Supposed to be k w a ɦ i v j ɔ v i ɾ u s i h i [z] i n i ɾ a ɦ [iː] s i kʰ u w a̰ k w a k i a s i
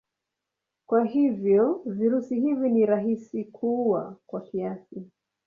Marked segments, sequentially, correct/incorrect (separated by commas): incorrect, incorrect